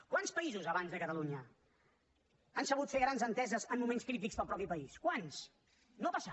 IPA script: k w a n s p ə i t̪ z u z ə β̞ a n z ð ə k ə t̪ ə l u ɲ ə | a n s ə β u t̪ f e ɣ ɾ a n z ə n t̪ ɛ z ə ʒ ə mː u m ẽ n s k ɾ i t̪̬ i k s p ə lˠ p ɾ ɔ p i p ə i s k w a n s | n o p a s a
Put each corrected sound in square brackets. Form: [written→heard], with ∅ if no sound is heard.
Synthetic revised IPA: k w a n s p ə i [t̪→∅] z u z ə β̞ a n z ð ə k ə t̪ ə l u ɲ ə | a n s ə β u t̪ f e ɣ ɾ a n z ə n t̪ ɛ z ə [ʒ→z] ə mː u m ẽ n s k ɾ i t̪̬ i k s p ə lˠ p ɾ ɔ p i p ə i s k w a n s | n o p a s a